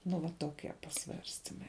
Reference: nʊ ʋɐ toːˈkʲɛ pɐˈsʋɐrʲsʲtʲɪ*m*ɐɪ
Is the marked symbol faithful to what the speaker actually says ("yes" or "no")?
yes